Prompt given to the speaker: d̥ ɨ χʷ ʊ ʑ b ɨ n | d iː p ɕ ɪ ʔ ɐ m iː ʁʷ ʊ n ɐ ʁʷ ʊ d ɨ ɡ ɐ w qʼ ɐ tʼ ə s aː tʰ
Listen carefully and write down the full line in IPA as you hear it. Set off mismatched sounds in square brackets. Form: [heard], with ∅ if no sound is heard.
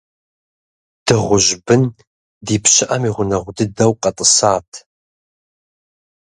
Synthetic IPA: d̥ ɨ [ʁʷ] ʊ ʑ b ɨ n | d iː p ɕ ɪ ʔ ɐ m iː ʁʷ ʊ n ɐ ʁʷ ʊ d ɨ [d] ɐ w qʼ ɐ tʼ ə s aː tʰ